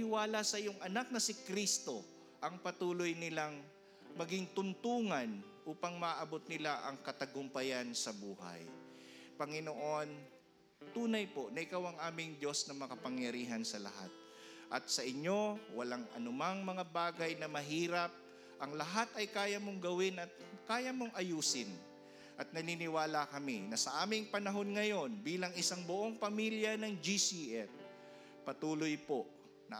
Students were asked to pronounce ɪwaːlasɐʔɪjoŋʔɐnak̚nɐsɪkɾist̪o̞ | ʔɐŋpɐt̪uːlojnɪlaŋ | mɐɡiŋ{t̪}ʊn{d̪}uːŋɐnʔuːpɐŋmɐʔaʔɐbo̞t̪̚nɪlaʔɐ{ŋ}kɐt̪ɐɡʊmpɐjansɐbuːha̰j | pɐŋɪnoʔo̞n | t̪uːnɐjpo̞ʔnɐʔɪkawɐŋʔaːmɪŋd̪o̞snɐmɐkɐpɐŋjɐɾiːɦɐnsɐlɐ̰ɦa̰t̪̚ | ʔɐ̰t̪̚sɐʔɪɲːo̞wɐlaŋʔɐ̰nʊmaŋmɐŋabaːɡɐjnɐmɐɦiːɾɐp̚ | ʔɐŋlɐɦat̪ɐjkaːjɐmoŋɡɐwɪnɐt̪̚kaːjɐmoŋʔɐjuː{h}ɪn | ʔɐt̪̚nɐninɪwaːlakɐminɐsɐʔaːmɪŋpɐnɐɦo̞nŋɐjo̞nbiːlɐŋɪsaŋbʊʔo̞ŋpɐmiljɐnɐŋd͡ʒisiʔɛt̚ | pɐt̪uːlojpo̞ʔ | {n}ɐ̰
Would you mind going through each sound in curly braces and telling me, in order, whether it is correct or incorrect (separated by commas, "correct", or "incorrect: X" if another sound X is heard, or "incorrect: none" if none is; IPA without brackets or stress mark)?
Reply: correct, incorrect: t̪, correct, incorrect: s, correct